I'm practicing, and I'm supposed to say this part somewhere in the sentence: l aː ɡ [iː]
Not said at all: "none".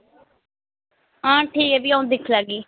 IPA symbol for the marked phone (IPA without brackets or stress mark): iː